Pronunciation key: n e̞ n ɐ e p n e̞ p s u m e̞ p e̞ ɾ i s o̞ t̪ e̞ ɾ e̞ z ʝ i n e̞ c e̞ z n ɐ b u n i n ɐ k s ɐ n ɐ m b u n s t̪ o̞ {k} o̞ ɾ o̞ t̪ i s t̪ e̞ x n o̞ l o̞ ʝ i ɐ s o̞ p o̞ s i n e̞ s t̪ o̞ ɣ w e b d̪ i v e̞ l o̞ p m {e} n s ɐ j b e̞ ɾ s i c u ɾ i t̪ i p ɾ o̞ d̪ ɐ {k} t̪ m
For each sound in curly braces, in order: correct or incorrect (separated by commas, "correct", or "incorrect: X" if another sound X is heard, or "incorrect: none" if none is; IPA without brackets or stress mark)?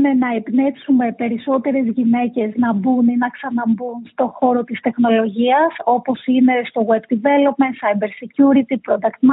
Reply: incorrect: x, correct, correct